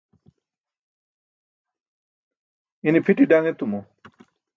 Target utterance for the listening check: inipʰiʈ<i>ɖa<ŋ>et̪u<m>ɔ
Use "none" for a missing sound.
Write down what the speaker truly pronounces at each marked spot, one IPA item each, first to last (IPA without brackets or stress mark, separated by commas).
i, ŋ, m